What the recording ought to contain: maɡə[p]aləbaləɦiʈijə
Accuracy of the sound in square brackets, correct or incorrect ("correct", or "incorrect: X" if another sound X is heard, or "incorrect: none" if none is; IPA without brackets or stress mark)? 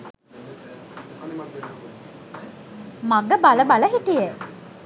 incorrect: b